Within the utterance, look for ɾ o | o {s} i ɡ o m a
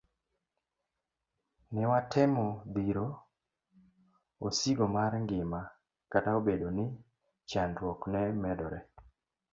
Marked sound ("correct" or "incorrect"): correct